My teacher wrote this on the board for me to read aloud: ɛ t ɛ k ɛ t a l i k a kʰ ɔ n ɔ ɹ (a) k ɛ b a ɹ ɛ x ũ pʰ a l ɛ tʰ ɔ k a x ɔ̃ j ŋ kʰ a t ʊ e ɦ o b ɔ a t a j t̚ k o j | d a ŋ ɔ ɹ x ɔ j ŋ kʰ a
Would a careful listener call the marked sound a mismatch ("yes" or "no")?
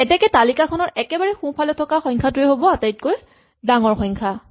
yes